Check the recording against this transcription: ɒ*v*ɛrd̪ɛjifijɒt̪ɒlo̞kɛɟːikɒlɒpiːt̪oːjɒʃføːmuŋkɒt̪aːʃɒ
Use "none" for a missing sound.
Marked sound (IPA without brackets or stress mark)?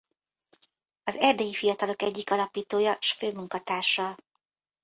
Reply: z